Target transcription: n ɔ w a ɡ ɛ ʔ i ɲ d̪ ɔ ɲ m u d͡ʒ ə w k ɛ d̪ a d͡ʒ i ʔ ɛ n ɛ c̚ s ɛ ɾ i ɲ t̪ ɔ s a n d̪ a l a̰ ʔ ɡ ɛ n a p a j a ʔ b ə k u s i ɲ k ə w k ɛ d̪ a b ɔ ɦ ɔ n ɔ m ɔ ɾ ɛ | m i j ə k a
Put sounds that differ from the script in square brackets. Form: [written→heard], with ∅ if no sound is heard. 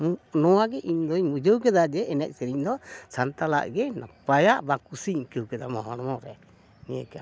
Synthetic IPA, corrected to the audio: n ɔ w a ɡ ɛ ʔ i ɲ d̪ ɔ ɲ m u d͡ʒ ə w k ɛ d̪ a d͡ʒ [i→ɛ] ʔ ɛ n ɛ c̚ s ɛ ɾ i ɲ [t̪→d̪] ɔ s a n [d̪→t̪] a l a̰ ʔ ɡ ɛ n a p a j a ʔ b [ə→a] k u s i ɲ k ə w k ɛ d̪ a [b→m] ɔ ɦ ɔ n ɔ m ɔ ɾ ɛ | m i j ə k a